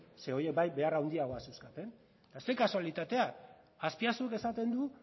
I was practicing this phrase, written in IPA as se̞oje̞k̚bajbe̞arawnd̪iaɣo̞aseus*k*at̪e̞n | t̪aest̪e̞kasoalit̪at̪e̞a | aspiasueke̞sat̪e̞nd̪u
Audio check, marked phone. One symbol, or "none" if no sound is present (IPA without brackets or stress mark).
k